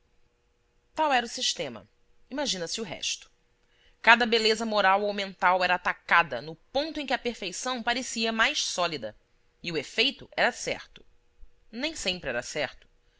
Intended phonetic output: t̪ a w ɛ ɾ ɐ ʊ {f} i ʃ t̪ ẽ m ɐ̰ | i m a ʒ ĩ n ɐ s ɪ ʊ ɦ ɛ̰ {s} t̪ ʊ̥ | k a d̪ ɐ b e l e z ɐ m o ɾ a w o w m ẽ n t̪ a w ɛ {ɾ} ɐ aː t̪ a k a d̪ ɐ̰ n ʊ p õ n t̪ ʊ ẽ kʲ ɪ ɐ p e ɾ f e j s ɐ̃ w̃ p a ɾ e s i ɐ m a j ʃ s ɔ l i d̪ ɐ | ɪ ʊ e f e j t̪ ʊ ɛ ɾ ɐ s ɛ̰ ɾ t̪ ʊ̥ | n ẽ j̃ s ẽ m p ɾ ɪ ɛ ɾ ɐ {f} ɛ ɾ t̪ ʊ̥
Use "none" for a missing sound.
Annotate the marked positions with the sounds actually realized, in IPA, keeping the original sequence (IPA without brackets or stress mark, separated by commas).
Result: s, ʃ, ɾ, s